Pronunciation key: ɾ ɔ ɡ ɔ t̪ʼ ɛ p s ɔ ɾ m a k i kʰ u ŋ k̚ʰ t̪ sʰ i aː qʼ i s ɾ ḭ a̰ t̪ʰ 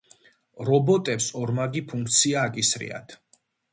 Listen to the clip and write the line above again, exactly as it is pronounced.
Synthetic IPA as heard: ɾ ɔ b ɔ t̪ʼ ɛ p s ɔ ɾ m a ɡ i pʰ u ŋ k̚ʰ t̪ sʰ i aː kʼ i s ɾ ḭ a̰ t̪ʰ